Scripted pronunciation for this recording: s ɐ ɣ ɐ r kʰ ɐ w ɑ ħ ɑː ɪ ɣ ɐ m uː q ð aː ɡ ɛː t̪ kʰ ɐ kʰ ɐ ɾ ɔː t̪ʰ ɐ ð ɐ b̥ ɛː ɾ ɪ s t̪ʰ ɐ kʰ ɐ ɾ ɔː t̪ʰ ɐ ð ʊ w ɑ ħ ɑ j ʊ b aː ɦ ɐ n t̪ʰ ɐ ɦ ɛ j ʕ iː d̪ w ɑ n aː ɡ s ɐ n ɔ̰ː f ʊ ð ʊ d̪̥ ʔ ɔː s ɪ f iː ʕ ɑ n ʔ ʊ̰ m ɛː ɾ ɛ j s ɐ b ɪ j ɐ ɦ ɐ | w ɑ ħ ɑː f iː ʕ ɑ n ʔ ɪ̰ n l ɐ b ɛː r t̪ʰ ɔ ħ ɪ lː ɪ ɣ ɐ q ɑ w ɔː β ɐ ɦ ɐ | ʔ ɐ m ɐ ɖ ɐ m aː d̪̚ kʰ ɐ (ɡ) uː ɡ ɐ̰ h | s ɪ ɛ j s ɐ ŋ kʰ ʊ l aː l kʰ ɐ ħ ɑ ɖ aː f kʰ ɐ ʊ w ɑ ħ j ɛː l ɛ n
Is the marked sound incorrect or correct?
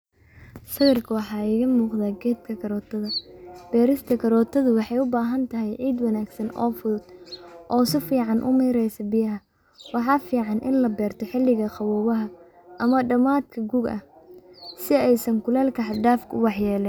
correct